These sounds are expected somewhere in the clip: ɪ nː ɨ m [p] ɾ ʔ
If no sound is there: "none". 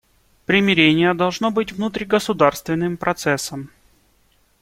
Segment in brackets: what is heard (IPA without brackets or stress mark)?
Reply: p